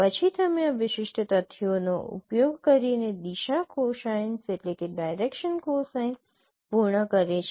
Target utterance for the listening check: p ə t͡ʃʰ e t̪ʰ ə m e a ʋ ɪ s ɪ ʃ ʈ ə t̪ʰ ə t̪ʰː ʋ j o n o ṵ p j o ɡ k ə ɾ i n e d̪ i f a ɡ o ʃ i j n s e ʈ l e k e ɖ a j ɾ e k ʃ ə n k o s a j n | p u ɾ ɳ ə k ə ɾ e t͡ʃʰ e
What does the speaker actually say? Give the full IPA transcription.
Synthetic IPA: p ə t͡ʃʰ i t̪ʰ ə m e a ʋ ɪ ʃ ɪ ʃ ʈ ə t̪ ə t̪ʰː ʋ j o n o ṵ p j o ɡ k ə ɾ i n e d̪ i ʃ a k o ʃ a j n s e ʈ l e k e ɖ a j ɾ e k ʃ ə n k o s a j n | p u ɾ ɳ ə k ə ɾ e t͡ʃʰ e